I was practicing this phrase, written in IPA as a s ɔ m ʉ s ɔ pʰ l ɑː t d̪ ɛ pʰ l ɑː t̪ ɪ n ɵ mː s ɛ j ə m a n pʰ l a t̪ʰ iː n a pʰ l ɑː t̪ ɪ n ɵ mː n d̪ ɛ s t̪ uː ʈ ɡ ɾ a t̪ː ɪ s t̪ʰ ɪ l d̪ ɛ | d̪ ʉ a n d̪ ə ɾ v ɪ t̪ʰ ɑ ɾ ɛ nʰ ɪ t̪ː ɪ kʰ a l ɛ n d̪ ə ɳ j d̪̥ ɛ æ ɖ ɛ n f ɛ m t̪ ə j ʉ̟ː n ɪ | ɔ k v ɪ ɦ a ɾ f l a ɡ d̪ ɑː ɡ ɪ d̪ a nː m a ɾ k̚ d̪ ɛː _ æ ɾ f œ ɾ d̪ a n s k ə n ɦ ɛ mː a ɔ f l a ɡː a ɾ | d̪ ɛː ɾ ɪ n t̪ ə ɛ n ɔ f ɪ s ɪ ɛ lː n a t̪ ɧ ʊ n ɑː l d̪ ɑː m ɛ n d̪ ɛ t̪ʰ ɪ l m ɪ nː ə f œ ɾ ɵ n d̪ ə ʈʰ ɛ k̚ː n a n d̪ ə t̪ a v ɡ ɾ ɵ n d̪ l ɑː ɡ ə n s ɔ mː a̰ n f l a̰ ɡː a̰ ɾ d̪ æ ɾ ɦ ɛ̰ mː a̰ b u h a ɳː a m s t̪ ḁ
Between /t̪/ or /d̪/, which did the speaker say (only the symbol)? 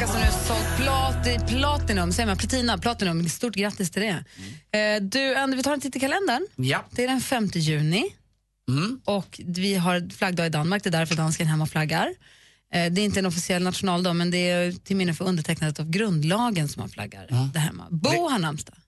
d̪